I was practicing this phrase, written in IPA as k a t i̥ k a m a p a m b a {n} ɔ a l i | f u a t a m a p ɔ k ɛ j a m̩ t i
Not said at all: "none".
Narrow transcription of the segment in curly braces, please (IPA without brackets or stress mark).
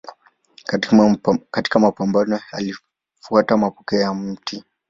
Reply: n